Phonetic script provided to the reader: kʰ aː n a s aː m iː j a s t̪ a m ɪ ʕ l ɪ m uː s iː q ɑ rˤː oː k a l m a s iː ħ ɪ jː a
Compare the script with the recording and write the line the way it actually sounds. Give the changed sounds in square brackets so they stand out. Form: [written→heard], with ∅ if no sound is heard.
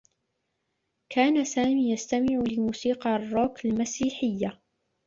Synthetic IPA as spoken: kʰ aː n a s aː m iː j a s t̪ a m ɪ ʕ l ɪ m uː s iː q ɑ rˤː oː k a l m a s iː ħ ɪ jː a